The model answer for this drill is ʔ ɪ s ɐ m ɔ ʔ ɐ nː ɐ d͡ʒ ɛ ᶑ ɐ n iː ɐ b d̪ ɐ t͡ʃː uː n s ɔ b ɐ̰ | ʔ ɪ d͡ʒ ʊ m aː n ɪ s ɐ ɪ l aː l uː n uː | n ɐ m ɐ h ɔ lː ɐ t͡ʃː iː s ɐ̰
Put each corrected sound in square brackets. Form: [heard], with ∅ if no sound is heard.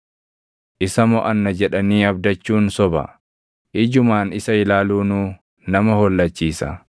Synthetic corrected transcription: ʔ ɪ s ɐ m ɔ ʔ ɐ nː ɐ d͡ʒ ɛ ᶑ ɐ n iː ɐ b d̪ ɐ t͡ʃː uː n s ɔ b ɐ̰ | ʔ ɪ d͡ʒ ʊ m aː n ɪ s ɐ ɪ l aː l uː n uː | n ɐ m ɐ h ɔ lː ɐ t͡ʃː iː s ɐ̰